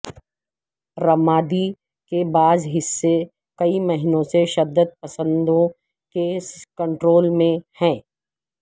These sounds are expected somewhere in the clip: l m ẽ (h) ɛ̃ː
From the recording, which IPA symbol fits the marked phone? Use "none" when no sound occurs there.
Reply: h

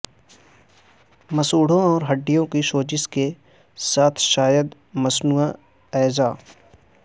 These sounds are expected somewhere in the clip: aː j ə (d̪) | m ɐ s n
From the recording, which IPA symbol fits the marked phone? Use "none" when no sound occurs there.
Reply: d̪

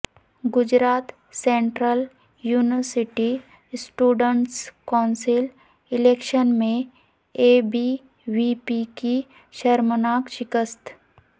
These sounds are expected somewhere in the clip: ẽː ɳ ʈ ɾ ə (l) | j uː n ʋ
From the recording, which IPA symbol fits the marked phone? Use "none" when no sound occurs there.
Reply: l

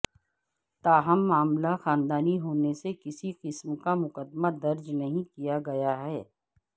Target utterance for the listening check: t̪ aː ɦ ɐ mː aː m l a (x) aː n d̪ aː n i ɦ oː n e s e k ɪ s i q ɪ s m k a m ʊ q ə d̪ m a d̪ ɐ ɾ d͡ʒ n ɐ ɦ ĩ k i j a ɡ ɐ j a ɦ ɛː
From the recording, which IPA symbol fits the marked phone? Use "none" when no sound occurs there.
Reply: x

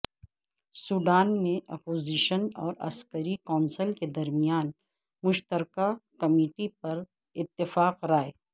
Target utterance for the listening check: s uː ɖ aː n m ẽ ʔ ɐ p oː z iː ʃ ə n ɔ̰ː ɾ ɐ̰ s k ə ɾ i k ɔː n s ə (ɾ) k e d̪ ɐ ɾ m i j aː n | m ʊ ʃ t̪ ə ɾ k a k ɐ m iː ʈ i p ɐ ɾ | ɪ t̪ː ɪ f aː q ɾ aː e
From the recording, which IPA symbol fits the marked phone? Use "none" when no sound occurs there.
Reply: l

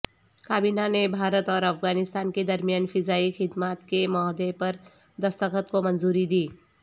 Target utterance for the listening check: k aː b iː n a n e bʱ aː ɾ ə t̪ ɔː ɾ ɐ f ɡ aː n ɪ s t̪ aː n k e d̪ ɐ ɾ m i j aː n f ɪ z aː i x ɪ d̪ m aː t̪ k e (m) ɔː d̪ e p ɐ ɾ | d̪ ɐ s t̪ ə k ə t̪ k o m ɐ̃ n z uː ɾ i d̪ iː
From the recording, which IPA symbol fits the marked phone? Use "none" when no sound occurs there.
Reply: m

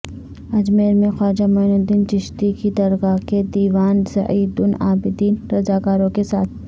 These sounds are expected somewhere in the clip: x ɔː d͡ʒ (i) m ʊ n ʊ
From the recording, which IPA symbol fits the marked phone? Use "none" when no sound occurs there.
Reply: a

